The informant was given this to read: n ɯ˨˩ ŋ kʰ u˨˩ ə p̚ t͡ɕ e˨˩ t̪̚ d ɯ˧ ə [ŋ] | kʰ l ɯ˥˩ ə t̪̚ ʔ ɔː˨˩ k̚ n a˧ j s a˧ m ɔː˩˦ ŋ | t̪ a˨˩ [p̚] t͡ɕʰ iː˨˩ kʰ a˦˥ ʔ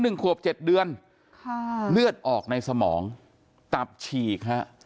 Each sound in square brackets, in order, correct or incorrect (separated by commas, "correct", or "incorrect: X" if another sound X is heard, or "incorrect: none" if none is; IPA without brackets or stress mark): incorrect: n, correct